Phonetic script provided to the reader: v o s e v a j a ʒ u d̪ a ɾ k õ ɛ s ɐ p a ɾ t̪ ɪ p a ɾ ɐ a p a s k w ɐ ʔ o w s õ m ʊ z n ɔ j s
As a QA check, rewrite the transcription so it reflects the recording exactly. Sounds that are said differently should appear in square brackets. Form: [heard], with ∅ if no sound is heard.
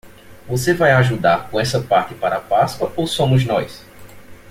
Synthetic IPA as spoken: v o s e v a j a ʒ u d̪ a ɾ k õ ɛ s ɐ p a ɾ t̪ ɪ p a ɾ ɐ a p a s k w ɐ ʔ o w s õ m ʊ z n ɔ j s